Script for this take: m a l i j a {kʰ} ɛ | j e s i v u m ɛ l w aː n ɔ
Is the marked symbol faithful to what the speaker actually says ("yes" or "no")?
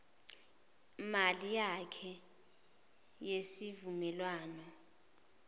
yes